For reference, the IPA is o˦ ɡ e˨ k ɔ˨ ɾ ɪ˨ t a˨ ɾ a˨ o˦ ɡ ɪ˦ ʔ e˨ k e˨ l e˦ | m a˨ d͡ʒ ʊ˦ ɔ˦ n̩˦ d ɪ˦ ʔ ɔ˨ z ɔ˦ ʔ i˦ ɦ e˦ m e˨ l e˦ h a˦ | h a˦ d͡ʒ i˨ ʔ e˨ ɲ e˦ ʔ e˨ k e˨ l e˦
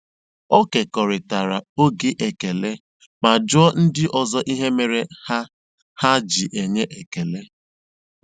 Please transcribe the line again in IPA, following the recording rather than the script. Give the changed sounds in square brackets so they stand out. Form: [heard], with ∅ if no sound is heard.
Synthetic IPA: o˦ [k] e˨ k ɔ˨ ɾ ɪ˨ t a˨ ɾ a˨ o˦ ɡ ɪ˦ ʔ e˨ k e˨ l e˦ | m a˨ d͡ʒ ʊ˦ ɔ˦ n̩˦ d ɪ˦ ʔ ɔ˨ z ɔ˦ ʔ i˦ ɦ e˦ m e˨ [ɾ] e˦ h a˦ | h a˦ d͡ʒ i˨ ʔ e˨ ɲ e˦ ʔ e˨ k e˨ l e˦